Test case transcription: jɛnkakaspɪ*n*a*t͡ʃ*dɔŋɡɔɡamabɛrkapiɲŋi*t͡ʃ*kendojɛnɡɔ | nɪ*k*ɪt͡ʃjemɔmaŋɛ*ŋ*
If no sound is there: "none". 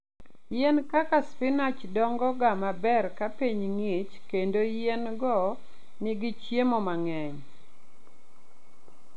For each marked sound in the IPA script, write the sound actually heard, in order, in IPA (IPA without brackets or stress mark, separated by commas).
n, t͡ʃ, t͡ʃ, ɡ, ɲ